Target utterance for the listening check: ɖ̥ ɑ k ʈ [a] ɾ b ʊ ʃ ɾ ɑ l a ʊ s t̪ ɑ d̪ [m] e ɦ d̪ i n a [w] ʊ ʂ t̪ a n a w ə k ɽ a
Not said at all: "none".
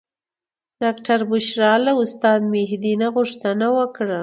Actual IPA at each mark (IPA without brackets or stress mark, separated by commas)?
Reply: a, m, ɣ